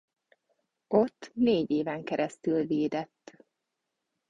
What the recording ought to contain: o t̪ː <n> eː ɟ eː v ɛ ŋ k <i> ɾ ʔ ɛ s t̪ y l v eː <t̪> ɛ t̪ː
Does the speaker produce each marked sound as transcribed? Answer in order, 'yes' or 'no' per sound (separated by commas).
yes, no, no